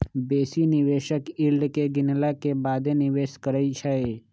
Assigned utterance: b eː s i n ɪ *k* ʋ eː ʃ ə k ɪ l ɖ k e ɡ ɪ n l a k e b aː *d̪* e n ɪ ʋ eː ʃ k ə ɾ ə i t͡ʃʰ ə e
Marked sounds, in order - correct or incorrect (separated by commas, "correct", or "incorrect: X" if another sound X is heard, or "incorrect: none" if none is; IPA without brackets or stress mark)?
incorrect: none, correct